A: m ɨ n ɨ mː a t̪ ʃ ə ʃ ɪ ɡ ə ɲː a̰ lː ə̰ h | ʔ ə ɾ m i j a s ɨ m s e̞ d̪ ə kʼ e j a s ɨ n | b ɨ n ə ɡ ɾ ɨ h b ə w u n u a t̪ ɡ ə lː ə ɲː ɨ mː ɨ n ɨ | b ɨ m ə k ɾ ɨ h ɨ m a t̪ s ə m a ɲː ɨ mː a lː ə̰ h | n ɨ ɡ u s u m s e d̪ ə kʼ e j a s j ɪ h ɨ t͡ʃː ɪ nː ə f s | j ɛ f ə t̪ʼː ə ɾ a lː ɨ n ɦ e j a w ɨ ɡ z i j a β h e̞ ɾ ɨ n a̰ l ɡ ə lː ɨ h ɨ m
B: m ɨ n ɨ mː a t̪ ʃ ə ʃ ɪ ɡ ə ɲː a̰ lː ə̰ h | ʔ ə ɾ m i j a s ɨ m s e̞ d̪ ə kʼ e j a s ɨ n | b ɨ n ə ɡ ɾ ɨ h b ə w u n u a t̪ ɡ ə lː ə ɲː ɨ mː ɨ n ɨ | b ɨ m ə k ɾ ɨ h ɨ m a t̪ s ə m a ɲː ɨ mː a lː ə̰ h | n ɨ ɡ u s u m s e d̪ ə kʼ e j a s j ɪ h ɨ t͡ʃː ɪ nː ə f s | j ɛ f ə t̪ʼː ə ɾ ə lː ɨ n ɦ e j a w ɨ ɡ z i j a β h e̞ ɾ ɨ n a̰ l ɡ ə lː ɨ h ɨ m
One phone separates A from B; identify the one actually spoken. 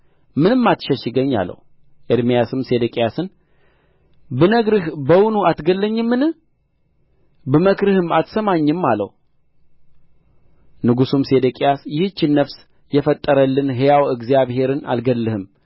B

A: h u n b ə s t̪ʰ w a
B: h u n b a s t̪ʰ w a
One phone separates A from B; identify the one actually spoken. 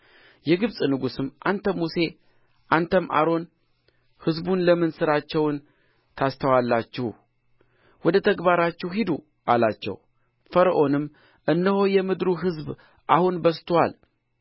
A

